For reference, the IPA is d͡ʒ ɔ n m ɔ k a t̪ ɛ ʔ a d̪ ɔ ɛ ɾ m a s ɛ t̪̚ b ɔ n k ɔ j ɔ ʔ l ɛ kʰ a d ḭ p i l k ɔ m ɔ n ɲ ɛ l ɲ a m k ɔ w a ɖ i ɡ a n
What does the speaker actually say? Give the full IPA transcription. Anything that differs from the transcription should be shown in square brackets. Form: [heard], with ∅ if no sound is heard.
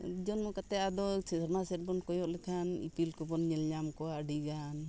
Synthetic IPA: d͡ʒ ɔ n m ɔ k a t̪ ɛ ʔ a d̪ ɔ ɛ ɾ m a s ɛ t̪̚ b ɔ n k ɔ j ɔ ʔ l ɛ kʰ a [n] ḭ p i l k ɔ [b] ɔ n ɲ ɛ l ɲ a m k ɔ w a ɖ i ɡ a n